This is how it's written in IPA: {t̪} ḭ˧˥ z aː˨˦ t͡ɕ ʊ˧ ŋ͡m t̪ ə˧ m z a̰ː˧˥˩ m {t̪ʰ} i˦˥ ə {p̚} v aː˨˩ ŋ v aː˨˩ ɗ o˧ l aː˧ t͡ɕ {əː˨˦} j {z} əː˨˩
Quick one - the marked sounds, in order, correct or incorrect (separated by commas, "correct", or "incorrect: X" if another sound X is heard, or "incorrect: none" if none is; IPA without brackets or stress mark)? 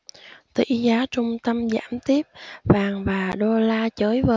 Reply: correct, incorrect: t̪, correct, correct, incorrect: v